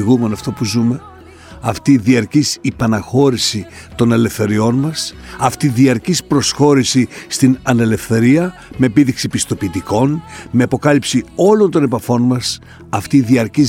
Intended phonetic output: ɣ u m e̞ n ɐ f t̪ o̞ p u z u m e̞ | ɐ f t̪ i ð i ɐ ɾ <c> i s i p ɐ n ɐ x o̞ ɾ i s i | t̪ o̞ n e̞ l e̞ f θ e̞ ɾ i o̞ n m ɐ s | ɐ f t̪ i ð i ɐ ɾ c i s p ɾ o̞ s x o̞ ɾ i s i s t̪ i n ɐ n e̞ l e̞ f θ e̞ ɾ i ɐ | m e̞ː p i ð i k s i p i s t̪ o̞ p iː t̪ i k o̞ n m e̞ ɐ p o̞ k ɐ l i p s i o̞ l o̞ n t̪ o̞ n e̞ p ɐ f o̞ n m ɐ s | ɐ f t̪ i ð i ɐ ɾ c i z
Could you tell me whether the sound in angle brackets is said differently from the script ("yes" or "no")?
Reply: no